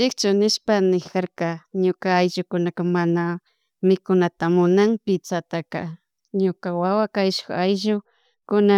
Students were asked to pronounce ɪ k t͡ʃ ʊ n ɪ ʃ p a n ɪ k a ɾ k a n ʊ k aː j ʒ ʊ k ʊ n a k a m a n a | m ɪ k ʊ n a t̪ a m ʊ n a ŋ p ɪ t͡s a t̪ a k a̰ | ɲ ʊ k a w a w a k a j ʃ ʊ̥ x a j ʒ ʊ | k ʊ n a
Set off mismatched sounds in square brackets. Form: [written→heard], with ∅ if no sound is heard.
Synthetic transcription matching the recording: ɪ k t͡ʃ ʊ n ɪ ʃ p a n ɪ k a ɾ k a [n→ɲ] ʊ k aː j ʒ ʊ k ʊ n a k a m a n a | m ɪ k ʊ n a t̪ a m ʊ n a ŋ p ɪ t͡s a t̪ a k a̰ | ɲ ʊ k a w a w a k a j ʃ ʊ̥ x a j ʒ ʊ | k ʊ n a